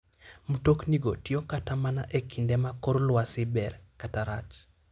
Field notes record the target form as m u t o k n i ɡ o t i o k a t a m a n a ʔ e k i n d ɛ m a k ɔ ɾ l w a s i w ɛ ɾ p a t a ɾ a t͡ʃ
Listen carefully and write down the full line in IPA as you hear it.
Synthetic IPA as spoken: m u t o k n i ɡ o t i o k a t a m a n a ʔ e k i n d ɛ m a k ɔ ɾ l w a s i b ɛ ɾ k a t a ɾ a t͡ʃ